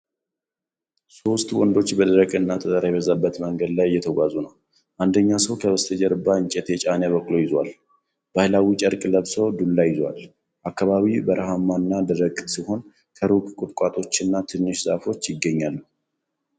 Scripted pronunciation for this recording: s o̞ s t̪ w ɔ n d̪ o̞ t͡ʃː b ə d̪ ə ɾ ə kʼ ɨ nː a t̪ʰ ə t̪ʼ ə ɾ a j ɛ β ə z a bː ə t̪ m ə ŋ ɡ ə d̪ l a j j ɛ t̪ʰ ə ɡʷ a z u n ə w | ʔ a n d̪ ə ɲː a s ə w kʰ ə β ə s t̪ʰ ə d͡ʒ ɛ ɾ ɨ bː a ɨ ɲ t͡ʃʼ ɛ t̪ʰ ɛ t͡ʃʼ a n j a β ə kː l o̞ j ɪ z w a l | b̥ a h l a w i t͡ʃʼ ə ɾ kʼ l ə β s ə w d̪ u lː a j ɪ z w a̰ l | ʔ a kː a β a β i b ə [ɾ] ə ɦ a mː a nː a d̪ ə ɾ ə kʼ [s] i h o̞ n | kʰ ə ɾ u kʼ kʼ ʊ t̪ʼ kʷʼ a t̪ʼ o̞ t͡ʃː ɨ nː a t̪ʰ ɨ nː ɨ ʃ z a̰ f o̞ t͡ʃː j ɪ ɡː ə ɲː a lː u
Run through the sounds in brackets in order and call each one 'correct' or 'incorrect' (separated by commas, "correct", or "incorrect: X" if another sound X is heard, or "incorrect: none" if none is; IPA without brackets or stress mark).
correct, correct